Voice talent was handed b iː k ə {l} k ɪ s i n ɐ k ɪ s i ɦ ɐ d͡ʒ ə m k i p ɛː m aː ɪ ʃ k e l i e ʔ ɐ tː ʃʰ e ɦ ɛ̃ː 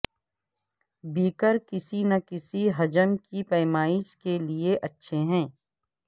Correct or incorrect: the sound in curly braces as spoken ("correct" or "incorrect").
incorrect